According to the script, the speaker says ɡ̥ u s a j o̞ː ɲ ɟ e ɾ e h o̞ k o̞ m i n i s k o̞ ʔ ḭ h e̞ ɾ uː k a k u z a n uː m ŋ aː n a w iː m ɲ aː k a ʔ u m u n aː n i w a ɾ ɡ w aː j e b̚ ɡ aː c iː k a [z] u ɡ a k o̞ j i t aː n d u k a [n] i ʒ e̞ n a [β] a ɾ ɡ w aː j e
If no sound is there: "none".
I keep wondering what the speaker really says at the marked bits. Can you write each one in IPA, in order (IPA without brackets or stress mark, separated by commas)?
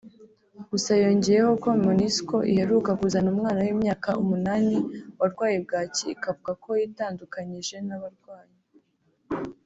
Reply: v, ɲ, β